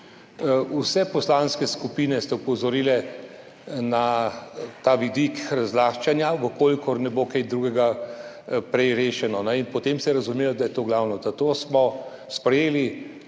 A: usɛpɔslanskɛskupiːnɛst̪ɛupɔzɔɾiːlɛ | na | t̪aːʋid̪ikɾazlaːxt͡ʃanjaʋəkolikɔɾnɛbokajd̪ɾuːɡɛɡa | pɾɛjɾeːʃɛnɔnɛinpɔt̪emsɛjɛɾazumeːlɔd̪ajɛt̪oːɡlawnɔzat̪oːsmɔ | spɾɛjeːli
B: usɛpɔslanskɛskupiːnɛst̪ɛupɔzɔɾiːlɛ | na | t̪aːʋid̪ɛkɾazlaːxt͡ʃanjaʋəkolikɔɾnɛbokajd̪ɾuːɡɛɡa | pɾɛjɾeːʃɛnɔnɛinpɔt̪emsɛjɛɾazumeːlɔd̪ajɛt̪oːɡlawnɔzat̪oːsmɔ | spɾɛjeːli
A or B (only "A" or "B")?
A